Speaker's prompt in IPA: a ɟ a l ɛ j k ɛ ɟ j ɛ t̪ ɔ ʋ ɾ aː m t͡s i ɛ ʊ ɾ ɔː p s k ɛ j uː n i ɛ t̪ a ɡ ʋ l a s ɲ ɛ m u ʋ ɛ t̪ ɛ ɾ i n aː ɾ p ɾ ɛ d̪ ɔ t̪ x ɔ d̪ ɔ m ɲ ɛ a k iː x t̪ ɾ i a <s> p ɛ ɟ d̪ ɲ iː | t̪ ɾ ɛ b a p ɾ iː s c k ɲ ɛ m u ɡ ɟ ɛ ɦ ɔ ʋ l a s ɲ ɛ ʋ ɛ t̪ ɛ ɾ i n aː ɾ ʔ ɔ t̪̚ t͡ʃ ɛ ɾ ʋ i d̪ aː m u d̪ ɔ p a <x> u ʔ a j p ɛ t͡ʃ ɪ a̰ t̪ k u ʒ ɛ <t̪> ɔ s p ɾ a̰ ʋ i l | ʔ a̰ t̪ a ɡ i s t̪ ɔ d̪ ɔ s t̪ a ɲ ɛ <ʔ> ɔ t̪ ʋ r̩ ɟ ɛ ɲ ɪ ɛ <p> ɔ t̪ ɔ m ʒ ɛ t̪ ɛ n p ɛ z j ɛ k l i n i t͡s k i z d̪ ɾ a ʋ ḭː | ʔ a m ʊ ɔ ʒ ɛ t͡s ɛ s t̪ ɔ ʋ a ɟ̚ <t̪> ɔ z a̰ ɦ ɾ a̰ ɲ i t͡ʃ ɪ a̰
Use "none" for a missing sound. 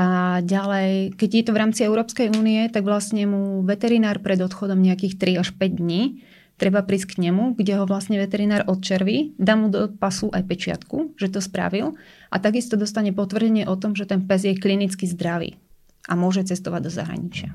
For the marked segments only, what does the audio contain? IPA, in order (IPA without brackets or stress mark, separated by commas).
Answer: ʃ, s, t̪, p, ʔ, d̪